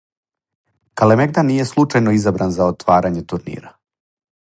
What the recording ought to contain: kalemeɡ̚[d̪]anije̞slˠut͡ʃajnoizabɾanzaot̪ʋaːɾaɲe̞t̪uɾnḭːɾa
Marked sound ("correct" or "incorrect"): correct